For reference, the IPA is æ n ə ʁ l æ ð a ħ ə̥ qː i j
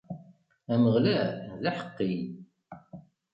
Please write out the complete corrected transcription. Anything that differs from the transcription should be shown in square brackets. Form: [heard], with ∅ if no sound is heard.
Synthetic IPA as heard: æ [m] ə ʁ l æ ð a ħ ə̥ qː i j